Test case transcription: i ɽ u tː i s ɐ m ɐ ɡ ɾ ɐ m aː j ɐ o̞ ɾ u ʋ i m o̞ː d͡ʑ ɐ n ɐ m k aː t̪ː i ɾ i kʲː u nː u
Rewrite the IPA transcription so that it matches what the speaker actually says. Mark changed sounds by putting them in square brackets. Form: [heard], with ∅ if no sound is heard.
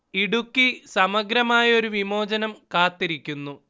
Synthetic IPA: i ɽ u [kː] i s ɐ m ɐ ɡ ɾ ɐ m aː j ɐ o̞ ɾ u ʋ i m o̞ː d͡ʑ ɐ n ɐ m k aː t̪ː i ɾ i kʲː u nː u